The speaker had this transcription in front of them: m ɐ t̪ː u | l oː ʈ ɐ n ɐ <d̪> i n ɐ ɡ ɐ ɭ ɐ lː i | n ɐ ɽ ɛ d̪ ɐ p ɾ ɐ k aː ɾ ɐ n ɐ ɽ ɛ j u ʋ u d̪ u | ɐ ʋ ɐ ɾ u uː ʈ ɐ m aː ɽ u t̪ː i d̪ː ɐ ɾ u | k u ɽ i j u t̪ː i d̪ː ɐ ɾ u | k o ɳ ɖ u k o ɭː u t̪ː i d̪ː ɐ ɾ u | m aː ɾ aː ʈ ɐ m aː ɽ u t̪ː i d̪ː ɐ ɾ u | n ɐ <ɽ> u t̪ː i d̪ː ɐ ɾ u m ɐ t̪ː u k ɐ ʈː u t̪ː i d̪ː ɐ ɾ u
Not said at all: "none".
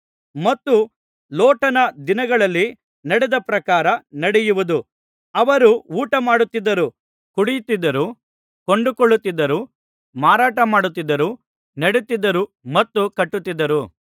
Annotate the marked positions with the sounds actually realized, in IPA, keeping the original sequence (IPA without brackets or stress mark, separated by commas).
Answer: d̪, ɽ